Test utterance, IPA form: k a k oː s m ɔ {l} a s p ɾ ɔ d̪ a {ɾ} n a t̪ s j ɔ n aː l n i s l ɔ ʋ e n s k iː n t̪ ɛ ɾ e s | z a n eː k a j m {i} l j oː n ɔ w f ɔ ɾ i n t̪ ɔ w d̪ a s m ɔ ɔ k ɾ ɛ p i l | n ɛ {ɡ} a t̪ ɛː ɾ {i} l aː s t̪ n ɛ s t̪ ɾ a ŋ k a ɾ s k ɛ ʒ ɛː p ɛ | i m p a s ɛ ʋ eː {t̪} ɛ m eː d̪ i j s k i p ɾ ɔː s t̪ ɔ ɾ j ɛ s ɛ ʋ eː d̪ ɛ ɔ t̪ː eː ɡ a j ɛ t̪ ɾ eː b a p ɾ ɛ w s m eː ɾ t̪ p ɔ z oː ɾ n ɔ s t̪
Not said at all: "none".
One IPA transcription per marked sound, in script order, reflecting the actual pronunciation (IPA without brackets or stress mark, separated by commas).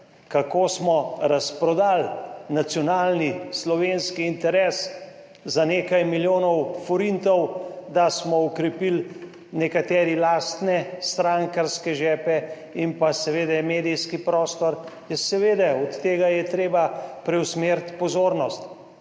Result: ɾ, l, i, k, i, d̪